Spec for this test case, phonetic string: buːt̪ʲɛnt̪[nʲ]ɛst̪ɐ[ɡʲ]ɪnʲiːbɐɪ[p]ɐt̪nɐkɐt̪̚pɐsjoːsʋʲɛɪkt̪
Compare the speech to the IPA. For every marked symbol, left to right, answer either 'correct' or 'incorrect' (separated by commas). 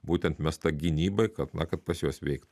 incorrect, correct, incorrect